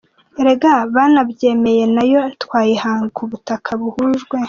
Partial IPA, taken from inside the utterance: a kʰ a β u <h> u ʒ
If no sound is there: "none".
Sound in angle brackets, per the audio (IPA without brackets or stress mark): h